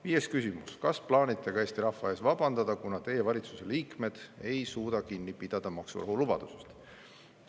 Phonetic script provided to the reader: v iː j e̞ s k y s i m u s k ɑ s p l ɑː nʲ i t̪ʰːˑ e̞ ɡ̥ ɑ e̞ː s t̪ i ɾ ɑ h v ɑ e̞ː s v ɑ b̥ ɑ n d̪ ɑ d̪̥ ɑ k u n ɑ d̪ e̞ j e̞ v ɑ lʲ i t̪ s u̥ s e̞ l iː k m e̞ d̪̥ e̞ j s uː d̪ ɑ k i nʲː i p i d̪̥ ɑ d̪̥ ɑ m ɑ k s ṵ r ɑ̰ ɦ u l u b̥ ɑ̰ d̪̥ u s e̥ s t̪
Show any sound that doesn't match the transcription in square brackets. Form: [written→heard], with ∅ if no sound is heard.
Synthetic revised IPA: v iː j e̞ s k y s i m u s k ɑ s p l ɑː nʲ i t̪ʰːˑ e̞ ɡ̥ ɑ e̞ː s t̪ i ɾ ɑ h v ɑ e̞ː s v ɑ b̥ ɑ n d̪ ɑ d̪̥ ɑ k u n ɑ [d̪→t̪] e̞ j e̞ v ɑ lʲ i t̪ s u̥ s e̞ l iː k m e̞ d̪̥ e̞ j s uː d̪ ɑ k i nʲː i p i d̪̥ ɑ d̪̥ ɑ m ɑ k s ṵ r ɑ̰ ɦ u l u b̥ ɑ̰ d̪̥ u s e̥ s t̪